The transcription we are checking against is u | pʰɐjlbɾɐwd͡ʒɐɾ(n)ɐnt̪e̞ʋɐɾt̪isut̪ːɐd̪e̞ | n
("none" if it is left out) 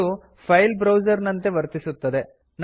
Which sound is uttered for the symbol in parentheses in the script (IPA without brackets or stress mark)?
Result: n